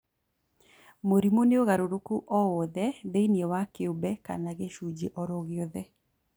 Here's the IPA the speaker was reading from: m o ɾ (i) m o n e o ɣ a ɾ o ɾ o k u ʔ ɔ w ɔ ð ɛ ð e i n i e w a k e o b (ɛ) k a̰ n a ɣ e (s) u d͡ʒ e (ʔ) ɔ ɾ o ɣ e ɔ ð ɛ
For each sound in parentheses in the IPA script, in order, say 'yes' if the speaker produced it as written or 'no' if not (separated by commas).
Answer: yes, yes, no, yes